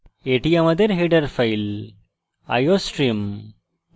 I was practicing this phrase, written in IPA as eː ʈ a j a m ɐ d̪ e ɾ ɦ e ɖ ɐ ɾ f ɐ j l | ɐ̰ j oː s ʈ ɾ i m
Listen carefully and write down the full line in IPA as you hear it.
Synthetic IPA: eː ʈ i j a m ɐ d̪ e ɾ ɦ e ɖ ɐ ɾ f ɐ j l | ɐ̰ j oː s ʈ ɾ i m